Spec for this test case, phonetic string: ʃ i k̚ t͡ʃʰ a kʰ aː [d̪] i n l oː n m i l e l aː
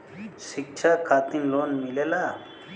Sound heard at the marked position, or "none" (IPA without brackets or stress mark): t̪